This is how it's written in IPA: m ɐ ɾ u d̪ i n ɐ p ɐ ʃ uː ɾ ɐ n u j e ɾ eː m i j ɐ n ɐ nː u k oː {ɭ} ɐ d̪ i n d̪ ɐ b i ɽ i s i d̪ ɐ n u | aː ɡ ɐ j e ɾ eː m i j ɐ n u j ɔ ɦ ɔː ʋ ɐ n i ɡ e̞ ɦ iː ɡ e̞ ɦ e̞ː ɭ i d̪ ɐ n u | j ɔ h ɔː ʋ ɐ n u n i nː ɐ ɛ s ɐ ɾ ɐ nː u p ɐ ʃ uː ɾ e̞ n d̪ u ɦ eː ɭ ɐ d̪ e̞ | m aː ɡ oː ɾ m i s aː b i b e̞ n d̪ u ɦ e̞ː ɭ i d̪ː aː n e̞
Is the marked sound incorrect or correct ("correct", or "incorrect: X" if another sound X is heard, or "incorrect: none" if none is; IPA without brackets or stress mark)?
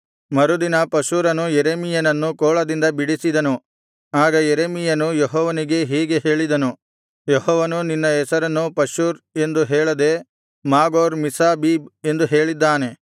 correct